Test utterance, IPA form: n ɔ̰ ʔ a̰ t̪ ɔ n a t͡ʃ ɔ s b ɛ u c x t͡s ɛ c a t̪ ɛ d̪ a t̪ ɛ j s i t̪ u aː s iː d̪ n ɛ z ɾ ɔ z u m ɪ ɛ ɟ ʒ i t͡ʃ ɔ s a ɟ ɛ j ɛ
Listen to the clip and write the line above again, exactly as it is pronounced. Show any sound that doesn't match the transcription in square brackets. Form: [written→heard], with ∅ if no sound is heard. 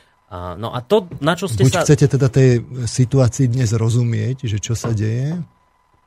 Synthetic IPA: n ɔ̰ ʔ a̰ t̪ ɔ n a t͡ʃ ɔ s b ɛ u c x t͡s ɛ c [a→ɛ] t̪ ɛ d̪ a t̪ ɛ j s i t̪ u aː [s→t͡s] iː d̪ [n→ɲ] ɛ z ɾ ɔ z u m ɪ ɛ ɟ ʒ [i→ɛ] t͡ʃ ɔ s a ɟ ɛ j ɛ